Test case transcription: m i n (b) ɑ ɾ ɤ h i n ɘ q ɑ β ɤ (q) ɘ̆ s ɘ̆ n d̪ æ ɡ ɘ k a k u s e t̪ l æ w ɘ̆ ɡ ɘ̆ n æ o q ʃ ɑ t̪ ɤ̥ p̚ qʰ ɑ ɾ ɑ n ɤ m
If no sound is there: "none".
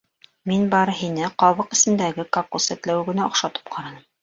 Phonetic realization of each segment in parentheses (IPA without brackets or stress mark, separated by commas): b, q